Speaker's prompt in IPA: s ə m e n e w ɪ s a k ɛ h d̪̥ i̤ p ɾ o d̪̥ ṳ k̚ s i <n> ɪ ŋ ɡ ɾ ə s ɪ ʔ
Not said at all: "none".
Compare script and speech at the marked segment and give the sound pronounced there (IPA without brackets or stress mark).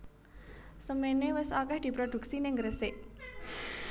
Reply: n